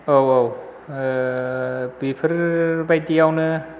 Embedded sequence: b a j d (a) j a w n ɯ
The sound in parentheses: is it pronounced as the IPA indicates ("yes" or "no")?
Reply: no